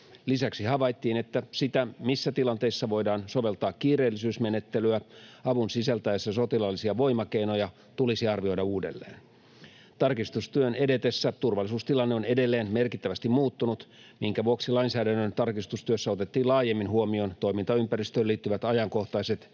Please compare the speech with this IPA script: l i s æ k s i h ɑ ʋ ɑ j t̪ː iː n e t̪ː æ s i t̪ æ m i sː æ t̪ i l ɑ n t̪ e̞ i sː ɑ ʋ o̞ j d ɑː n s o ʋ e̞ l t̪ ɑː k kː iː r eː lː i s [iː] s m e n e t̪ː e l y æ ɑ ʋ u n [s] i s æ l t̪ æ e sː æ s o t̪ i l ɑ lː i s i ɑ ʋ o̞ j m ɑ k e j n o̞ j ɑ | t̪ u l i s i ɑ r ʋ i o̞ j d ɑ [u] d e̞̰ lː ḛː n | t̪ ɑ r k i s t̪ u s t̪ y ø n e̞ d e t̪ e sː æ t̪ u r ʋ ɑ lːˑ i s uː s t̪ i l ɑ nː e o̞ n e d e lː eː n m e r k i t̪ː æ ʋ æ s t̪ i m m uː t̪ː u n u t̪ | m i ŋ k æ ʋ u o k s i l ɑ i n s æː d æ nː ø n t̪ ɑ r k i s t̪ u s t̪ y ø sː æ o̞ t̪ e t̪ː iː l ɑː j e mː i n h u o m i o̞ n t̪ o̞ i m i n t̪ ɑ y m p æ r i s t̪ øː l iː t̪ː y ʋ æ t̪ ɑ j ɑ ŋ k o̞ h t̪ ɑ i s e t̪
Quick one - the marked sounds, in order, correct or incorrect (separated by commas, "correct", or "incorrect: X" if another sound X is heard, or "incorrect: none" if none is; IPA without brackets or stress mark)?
incorrect: yː, correct, incorrect: uː